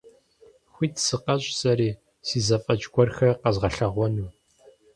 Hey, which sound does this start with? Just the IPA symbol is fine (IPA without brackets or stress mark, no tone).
xʷ